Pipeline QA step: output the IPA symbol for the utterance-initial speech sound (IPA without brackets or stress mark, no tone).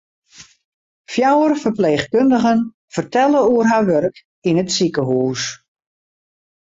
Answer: f